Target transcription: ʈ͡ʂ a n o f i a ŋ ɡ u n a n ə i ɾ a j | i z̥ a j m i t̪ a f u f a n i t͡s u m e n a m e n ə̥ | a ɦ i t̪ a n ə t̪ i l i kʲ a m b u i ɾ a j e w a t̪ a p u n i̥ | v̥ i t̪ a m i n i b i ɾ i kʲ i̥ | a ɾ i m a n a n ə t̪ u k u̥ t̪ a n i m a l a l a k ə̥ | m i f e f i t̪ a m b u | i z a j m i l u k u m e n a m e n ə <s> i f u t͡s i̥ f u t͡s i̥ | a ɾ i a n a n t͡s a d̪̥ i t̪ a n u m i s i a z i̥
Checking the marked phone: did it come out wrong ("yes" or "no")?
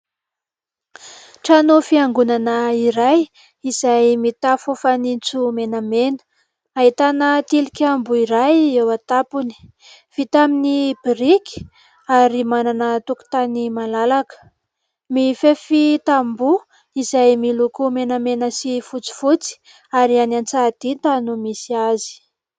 no